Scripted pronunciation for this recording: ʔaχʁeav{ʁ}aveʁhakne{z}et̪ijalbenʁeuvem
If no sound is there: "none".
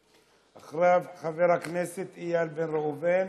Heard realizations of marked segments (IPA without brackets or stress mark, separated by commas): χ, s